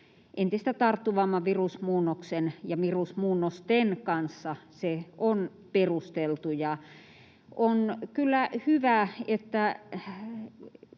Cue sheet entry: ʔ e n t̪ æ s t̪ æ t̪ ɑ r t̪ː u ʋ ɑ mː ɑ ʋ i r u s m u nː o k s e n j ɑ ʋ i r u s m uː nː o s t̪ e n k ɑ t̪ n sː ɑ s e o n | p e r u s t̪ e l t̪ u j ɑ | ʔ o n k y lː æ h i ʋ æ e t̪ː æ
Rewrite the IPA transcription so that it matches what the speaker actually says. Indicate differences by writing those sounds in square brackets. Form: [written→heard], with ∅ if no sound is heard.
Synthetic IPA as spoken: ʔ e n t̪ [æ→i] s t̪ æ t̪ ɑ r t̪ː u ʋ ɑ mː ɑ ʋ i r u s m [u→uː] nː o k s e n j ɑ ʋ i r u s m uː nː o s t̪ e n k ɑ [t̪→∅] n sː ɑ s e o n | p e r u s t̪ e l t̪ u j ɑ | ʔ o n k y lː æ h [i→y] ʋ æ e t̪ː æ